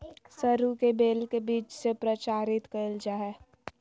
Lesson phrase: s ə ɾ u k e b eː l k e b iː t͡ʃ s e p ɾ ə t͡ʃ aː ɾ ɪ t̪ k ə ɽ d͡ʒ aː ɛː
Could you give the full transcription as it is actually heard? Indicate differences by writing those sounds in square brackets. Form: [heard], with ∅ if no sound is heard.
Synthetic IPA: s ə ɾ u k e b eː l k e b iː t͡ʃ s e p ɾ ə t͡ʃ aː ɾ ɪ t̪ k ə [l] d͡ʒ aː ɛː